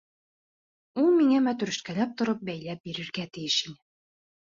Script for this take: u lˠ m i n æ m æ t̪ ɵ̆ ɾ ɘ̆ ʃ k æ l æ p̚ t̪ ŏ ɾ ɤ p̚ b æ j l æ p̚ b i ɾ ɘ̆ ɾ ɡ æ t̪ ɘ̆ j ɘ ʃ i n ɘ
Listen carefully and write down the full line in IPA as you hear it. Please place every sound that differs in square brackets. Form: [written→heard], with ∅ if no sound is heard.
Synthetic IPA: u lˠ m i [n→ŋ] æ m æ t̪ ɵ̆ ɾ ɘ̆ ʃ k æ l æ p̚ t̪ ŏ ɾ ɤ p̚ b æ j l æ p̚ b i ɾ ɘ̆ ɾ ɡ æ t̪ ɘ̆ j ɘ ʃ i n ɘ